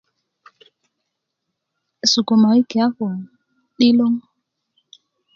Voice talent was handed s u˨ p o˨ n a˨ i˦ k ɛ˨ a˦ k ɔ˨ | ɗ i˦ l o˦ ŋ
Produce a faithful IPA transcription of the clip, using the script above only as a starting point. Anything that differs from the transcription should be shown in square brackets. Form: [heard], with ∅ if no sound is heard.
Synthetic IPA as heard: s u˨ [k] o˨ [m] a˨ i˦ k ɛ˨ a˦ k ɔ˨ | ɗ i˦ l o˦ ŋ